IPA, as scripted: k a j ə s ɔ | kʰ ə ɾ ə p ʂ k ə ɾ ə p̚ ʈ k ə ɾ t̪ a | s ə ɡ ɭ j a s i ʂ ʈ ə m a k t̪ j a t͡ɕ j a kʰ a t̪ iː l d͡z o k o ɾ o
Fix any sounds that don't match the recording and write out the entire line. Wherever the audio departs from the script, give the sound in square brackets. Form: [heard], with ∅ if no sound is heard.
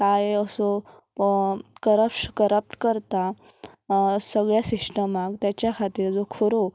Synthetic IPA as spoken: k a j ə s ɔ | [k] ə ɾ ə p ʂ k ə ɾ ə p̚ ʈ k ə ɾ t̪ a | s ə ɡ ɭ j a s i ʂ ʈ ə m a k t̪ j a t͡ɕ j a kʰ a t̪ iː [ɾ] d͡z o [kʰ] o ɾ o